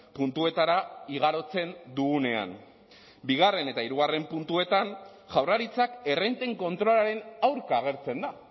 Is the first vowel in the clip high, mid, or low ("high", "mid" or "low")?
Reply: high